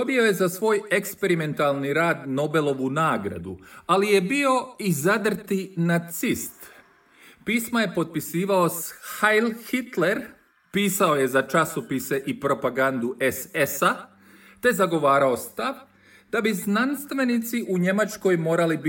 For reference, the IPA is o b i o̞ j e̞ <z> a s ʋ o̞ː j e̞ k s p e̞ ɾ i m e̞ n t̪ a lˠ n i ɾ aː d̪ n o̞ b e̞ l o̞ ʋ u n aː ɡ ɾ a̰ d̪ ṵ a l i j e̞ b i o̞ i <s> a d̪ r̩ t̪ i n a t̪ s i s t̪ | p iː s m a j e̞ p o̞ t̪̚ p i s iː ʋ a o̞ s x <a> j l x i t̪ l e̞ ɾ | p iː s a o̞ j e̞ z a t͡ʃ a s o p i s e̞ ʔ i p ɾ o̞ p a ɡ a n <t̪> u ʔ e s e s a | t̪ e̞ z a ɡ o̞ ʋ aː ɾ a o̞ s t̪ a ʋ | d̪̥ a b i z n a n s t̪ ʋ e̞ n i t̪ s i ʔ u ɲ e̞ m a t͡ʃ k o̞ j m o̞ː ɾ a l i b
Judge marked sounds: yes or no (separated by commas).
yes, no, yes, no